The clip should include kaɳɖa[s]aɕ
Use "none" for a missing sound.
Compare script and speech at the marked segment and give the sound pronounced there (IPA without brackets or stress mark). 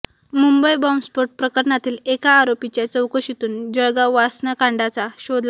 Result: t͡s